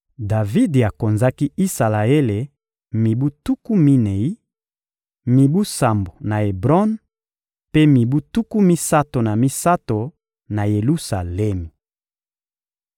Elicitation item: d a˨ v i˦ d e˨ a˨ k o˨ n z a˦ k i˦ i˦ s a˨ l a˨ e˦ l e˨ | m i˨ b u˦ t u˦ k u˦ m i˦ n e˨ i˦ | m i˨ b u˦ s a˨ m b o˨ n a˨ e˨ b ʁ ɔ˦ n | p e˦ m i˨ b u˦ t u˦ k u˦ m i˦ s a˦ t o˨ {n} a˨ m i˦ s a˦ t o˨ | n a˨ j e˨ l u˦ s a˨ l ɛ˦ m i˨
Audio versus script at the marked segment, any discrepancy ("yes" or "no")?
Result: no